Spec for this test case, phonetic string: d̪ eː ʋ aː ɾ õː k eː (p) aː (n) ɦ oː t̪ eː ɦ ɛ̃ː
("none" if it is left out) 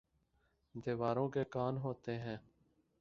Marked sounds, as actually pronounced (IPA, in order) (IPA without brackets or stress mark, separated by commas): k, n